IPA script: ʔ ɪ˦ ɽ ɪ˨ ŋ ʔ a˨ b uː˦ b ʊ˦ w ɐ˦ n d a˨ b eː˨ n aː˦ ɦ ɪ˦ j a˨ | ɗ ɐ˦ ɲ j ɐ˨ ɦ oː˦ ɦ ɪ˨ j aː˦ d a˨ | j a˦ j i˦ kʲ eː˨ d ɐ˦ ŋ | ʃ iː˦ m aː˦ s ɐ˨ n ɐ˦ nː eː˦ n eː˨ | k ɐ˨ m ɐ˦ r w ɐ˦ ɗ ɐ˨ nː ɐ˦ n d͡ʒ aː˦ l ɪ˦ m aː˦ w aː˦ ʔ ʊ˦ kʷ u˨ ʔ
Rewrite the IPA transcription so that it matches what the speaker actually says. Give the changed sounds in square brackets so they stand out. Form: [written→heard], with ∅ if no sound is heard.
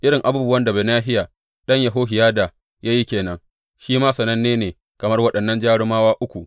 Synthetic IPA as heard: ʔ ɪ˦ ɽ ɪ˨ ŋ ʔ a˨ b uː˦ b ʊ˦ w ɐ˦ n d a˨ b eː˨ n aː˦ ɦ ɪ˦ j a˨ | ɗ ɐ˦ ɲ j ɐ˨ ɦ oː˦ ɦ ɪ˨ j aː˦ d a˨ | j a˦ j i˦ kʲ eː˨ [d→n] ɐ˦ ŋ | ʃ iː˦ m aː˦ s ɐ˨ n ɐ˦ nː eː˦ n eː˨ | k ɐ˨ m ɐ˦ r w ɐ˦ ɗ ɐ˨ nː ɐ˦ n d͡ʒ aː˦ [l→ɽ] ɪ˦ m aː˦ w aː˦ ʔ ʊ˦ kʷ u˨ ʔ